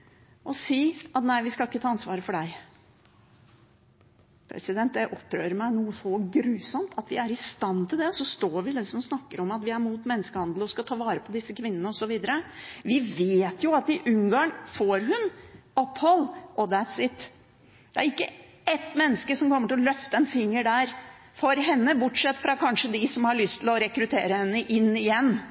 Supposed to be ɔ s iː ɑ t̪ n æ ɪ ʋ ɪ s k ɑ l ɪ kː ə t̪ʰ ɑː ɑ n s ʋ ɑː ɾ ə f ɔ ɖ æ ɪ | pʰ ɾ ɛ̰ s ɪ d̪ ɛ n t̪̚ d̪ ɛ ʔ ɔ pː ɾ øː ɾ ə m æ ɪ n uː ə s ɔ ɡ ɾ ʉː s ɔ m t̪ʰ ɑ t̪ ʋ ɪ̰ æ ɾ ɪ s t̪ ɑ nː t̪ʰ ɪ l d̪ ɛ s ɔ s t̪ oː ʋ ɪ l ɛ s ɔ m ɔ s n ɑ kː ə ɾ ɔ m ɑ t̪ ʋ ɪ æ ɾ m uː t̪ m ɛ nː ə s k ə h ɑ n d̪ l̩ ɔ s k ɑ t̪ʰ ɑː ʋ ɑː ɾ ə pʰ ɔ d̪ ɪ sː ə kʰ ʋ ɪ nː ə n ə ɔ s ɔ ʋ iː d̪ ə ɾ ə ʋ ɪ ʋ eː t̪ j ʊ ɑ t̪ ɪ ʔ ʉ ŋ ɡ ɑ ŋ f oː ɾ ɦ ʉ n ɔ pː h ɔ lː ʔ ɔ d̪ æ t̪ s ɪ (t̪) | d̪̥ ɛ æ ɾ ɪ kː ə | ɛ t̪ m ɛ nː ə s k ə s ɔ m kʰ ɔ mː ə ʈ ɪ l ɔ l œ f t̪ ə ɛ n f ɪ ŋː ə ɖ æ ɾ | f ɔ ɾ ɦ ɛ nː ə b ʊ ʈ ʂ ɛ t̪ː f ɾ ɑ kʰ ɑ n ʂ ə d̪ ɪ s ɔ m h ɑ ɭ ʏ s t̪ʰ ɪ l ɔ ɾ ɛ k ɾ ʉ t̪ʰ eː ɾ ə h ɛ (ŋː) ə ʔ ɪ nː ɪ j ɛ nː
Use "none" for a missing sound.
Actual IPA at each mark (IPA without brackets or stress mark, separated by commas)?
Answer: t̪, nː